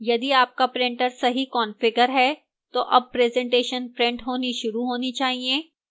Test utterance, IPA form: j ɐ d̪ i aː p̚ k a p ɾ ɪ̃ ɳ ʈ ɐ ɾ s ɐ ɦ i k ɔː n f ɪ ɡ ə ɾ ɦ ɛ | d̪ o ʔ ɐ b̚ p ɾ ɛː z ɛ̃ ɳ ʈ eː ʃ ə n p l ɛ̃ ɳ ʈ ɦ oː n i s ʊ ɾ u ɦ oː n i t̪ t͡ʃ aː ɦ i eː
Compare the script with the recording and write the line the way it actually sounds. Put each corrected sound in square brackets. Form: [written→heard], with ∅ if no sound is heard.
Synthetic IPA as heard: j ɐ d̪ i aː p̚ k a p ɾ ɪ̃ ɳ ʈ [ɐ→ə] ɾ s ɐ ɦ i k ɔː n f ɪ ɡ ə ɾ ɦ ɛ | [d̪→t̪] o ʔ ɐ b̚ p ɾ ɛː z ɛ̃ ɳ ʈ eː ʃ ə n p [l→ɾ] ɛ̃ ɳ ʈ ɦ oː n i [s→ʃ] ʊ ɾ u ɦ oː n i [t̪→∅] t͡ʃ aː ɦ i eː